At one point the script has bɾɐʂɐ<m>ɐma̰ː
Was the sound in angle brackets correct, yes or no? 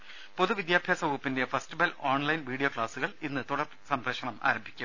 no